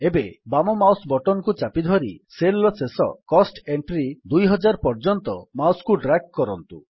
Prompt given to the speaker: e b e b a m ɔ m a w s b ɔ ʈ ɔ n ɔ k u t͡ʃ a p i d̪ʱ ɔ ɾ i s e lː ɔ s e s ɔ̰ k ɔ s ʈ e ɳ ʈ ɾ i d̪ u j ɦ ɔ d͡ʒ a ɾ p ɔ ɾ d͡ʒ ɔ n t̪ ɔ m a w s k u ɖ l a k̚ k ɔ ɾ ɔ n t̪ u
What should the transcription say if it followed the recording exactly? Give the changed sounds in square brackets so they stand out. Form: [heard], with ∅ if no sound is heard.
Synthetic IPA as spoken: e b e b a m ɔ m a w s b ɔ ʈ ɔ n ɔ k u t͡ʃ a p i d̪ʱ ɔ ɾ i s e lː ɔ s e s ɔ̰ k ɔ s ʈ e ɳ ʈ ɾ i d̪ u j ɦ ɔ d͡ʒ a ɾ p ɔ ɾ d͡ʒ ɔ n t̪ ɔ m a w s k u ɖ [ɾ] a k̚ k ɔ ɾ ɔ n t̪ u